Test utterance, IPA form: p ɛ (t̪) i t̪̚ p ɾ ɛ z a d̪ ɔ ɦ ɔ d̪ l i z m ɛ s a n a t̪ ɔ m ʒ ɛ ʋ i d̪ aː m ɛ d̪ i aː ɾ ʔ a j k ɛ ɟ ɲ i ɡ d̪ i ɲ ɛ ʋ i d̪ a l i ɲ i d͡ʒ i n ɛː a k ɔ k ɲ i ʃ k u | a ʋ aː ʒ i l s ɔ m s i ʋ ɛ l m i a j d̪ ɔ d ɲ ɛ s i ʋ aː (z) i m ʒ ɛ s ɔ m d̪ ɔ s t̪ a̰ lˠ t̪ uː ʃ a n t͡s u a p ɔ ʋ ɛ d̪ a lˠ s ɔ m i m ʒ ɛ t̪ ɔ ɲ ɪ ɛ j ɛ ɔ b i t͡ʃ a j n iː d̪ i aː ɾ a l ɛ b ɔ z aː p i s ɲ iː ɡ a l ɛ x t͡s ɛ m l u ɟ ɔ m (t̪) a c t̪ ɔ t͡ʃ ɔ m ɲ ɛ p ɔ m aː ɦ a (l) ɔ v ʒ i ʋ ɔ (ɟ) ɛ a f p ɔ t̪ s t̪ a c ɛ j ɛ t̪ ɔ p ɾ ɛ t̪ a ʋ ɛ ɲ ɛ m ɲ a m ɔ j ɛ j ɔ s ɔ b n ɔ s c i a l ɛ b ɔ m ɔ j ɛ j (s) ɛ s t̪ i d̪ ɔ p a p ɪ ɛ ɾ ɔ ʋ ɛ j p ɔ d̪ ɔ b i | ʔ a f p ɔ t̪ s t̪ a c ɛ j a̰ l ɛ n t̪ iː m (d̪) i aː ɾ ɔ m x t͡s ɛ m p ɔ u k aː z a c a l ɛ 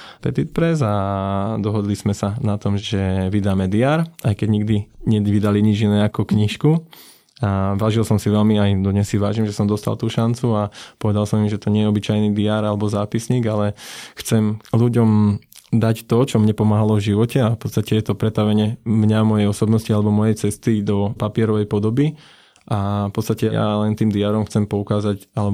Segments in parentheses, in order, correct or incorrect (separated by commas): correct, incorrect, incorrect, correct, incorrect, incorrect, correct